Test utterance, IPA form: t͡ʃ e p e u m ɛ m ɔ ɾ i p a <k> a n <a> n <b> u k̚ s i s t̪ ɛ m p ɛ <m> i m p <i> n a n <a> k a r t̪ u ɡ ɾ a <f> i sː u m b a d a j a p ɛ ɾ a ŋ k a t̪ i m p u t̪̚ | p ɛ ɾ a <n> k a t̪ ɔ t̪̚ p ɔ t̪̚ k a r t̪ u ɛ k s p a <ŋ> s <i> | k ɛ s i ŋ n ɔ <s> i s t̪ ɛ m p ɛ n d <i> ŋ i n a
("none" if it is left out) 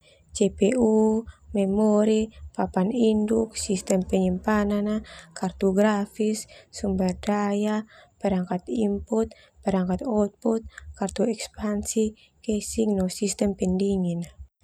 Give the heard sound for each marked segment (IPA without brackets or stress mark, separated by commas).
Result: p, i, d, ɲ, a, a, f, ŋ, n, i, s, i